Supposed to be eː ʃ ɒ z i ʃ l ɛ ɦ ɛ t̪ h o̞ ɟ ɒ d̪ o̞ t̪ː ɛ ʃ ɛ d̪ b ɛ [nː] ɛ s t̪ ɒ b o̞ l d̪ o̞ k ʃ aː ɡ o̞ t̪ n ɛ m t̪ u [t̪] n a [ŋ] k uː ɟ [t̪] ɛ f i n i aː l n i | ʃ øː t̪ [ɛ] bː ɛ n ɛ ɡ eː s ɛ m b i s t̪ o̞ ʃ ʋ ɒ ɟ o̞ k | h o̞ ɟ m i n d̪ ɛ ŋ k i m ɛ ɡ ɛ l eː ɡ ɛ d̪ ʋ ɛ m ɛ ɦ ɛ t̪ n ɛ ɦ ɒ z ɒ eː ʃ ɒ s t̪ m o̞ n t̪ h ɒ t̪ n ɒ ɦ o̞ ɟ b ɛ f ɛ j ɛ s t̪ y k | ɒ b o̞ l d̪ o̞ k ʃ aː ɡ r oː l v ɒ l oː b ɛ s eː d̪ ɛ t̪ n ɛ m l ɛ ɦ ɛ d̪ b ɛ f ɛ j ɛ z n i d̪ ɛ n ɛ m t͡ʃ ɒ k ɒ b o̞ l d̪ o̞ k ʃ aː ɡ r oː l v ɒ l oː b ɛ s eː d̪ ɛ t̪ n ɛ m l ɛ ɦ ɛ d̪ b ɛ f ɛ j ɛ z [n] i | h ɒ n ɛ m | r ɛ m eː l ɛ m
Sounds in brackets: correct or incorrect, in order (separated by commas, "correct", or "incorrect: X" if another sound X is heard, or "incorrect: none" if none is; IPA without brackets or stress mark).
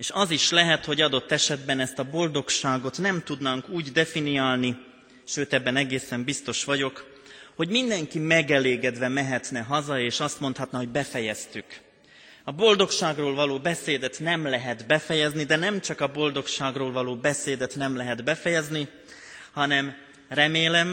incorrect: n, incorrect: d̪, correct, incorrect: d̪, correct, correct